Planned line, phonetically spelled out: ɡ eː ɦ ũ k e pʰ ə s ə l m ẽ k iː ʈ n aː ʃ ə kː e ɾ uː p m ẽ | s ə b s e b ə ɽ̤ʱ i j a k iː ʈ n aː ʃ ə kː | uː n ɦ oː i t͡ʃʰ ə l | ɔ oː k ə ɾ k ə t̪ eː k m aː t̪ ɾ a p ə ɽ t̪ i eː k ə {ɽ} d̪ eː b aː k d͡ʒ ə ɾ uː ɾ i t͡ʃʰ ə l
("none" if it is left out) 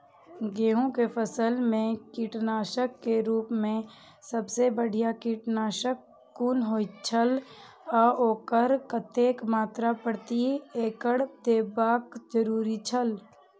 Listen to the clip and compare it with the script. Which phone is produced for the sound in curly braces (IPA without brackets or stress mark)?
ɽ